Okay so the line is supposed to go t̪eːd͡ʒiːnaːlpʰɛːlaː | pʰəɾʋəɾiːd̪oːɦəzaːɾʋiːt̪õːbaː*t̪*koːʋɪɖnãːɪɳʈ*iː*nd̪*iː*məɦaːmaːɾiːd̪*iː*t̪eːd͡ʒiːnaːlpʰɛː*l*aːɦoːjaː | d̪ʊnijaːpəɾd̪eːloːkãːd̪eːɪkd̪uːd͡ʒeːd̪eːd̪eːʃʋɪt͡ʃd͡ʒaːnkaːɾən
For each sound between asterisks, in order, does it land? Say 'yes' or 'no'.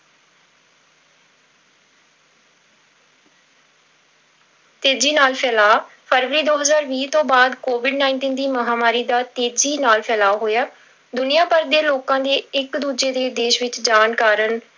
no, yes, yes, no, yes

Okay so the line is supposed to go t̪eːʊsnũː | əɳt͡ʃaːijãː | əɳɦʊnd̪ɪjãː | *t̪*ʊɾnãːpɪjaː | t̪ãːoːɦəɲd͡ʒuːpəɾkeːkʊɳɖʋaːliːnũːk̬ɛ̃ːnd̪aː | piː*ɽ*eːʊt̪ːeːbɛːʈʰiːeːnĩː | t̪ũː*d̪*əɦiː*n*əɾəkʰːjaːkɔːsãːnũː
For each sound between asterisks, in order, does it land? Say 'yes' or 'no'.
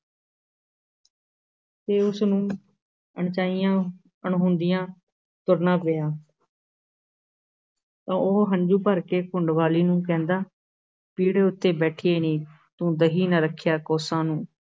yes, yes, yes, yes

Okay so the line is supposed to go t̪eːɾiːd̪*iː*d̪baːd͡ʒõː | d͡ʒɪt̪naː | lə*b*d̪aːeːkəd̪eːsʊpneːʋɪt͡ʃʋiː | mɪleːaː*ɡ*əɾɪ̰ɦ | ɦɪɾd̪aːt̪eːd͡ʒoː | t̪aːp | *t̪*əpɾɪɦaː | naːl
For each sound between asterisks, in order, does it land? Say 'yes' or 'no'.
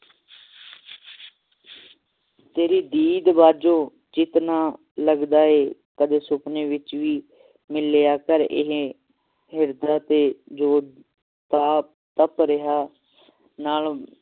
yes, no, no, yes

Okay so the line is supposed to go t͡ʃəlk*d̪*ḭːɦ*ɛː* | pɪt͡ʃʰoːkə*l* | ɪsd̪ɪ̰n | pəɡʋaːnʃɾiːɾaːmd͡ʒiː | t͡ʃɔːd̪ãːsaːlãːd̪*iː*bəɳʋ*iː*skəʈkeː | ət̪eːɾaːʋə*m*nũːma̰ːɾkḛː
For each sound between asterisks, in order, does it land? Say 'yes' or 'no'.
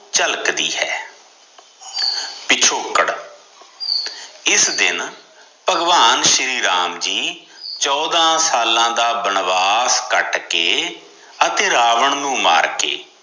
yes, yes, no, no, no, no

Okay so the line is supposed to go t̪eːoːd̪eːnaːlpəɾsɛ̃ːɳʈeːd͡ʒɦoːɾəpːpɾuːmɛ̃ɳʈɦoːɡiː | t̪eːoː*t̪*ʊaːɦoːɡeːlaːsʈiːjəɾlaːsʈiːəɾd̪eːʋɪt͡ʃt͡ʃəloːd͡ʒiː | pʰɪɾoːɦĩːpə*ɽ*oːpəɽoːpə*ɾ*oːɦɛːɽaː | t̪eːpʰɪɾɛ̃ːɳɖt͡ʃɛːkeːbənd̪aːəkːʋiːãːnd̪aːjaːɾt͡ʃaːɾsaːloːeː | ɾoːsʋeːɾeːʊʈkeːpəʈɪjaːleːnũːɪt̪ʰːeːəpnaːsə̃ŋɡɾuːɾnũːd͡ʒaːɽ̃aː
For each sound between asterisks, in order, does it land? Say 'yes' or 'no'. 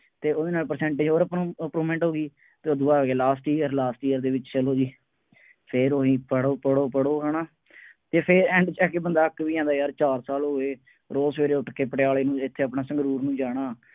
no, yes, no

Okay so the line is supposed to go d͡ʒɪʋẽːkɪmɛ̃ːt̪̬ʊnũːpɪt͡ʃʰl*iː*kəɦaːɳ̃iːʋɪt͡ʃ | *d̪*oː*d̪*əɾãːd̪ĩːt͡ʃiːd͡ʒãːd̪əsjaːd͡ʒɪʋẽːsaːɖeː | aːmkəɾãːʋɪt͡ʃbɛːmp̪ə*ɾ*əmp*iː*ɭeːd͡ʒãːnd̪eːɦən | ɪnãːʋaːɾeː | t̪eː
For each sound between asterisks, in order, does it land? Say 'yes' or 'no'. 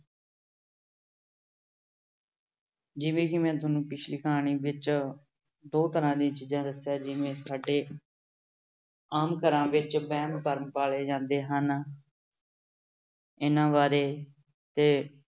yes, yes, no, yes, no

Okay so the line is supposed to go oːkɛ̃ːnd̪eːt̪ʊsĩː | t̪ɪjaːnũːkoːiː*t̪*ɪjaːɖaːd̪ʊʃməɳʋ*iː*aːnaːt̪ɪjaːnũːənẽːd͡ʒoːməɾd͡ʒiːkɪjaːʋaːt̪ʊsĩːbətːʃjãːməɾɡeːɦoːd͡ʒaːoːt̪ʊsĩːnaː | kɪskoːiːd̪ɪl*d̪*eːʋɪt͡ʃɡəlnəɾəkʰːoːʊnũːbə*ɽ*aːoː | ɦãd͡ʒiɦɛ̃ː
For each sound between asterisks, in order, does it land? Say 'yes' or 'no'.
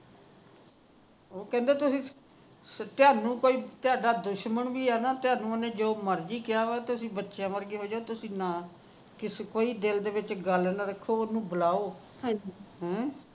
yes, yes, yes, no

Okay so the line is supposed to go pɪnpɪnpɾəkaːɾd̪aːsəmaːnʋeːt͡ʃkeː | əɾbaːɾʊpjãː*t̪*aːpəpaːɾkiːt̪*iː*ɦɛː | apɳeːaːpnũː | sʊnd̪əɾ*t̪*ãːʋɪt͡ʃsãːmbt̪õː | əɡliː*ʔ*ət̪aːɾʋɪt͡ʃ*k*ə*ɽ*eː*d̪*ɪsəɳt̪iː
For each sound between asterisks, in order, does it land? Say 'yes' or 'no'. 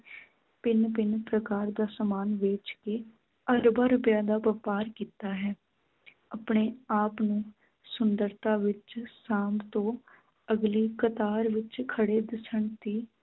no, no, yes, no, no, yes, yes

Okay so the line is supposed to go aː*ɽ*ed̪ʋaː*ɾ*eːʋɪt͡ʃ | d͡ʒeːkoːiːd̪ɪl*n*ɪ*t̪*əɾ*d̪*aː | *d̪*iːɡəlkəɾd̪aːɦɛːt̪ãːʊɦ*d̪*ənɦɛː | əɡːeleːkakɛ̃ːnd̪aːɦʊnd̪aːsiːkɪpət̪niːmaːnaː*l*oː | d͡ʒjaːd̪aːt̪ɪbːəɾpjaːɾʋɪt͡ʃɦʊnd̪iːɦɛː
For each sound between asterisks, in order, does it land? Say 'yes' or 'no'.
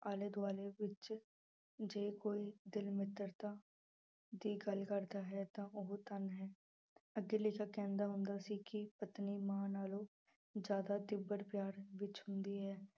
no, no, no, yes, no, yes, no, yes

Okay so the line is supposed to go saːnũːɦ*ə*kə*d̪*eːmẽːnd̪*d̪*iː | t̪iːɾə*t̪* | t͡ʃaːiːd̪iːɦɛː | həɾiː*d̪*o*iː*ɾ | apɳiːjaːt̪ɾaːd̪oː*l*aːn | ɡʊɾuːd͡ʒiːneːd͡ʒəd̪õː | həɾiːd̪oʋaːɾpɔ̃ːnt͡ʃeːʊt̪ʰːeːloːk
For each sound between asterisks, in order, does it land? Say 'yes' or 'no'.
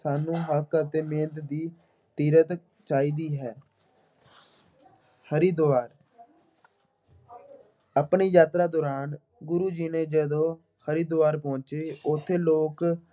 yes, no, yes, yes, yes, no, no

